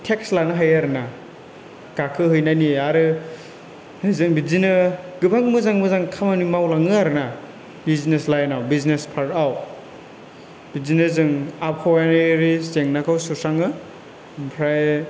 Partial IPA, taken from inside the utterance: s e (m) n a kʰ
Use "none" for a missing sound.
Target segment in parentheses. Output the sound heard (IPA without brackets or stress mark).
ŋ